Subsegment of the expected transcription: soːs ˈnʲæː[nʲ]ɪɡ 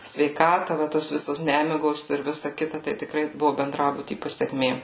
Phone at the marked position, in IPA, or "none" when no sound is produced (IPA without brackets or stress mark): mʲ